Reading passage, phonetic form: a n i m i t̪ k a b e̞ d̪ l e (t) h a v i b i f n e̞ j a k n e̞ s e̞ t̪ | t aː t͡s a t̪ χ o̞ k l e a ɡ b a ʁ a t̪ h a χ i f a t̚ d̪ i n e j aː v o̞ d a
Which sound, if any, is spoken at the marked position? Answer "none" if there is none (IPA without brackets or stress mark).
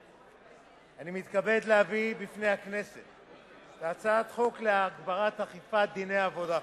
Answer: none